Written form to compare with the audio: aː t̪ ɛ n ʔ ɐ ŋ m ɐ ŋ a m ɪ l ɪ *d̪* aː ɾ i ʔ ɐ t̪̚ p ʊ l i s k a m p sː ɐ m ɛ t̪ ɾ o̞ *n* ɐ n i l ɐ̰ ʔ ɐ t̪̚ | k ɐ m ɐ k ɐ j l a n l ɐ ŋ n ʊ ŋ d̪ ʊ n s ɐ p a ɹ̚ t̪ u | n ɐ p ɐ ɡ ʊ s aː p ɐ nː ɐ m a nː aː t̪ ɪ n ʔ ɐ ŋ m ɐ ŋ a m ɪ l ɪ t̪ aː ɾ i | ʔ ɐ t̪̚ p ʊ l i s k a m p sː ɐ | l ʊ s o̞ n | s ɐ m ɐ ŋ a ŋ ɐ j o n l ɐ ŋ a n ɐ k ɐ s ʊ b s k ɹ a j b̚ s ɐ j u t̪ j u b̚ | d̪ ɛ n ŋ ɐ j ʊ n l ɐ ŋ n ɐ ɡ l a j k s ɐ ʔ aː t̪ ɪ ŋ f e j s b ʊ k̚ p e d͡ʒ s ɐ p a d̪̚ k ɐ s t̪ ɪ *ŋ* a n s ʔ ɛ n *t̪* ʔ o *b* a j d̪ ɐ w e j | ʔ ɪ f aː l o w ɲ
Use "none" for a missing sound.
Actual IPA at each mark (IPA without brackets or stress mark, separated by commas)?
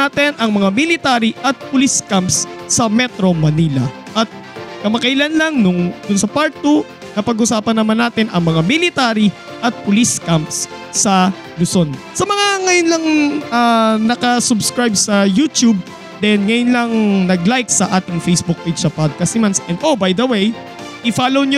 t̪, m, m, d̪, b